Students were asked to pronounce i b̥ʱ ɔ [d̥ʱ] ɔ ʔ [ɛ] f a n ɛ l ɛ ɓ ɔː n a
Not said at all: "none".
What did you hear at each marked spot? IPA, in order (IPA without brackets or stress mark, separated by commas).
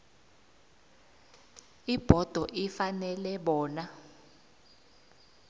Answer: d̥ʱ, i